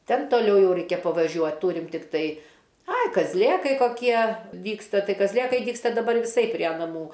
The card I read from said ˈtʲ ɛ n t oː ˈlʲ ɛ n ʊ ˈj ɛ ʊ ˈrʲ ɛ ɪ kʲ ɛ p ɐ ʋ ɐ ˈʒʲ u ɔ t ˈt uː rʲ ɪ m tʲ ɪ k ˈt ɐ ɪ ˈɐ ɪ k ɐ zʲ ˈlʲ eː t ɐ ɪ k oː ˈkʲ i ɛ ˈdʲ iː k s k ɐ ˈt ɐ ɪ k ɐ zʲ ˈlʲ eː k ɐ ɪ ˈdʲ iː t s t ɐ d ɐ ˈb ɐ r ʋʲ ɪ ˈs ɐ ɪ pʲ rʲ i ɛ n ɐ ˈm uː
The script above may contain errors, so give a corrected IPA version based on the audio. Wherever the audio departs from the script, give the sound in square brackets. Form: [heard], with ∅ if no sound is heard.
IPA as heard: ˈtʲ ɛ n t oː ˈlʲ ɛ [∅] ʊ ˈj ɛ ʊ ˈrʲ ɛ ɪ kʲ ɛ p ɐ ʋ ɐ ˈʒʲ u ɔ t ˈt uː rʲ ɪ m tʲ ɪ k ˈt ɐ ɪ ˈɐ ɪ k ɐ zʲ ˈlʲ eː [k] ɐ ɪ k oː ˈkʲ i ɛ ˈdʲ iː k s [t] ɐ ˈt ɐ ɪ k ɐ zʲ ˈlʲ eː k ɐ ɪ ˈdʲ iː [k] s t ɐ d ɐ ˈb ɐ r ʋʲ ɪ ˈs ɐ ɪ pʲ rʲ i ɛ n ɐ ˈm uː